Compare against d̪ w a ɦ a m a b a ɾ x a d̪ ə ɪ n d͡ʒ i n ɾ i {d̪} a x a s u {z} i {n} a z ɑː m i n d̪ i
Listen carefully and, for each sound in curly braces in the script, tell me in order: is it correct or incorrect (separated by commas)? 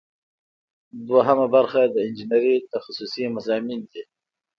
incorrect, incorrect, incorrect